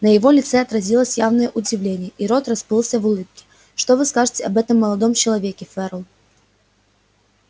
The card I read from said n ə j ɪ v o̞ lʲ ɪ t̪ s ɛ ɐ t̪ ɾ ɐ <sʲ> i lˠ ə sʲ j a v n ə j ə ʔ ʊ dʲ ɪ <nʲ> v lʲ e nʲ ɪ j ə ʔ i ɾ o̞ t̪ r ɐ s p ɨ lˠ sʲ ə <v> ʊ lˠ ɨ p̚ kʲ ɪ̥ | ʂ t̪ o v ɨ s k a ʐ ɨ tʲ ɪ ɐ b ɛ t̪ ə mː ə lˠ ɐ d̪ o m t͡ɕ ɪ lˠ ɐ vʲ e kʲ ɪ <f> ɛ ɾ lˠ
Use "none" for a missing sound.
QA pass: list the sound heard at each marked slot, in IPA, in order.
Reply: zʲ, none, v, f

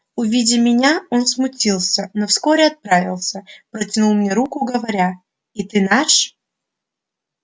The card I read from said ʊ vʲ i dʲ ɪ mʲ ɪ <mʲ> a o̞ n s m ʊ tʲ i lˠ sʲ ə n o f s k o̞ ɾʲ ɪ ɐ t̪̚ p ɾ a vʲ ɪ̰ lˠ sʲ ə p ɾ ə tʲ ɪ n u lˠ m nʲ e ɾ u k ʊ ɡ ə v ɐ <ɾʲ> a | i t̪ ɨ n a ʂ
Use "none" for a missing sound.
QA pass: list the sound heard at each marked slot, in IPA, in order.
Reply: nʲ, ɾʲ

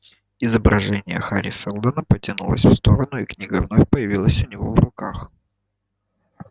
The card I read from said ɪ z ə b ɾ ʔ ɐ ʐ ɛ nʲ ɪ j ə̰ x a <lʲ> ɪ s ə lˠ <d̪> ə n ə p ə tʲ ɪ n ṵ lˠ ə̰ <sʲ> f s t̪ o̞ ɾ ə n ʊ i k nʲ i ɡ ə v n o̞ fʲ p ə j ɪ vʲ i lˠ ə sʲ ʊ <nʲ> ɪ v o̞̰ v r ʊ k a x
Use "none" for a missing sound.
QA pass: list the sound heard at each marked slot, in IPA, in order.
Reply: ɾʲ, d̪, sʲ, nʲ

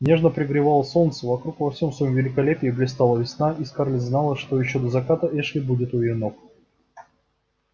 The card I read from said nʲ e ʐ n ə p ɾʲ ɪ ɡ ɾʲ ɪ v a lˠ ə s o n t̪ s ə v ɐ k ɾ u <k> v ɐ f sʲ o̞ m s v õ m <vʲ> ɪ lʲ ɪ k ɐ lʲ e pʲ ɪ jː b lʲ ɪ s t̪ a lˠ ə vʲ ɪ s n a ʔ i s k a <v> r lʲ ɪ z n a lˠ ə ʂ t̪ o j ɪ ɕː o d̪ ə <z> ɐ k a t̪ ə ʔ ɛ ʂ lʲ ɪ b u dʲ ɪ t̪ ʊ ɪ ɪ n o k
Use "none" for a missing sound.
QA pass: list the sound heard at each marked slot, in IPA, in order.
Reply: k, vʲ, none, z

